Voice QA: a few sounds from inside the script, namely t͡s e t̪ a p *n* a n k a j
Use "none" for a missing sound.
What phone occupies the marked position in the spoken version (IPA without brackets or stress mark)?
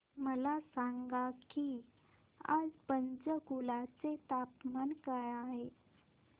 m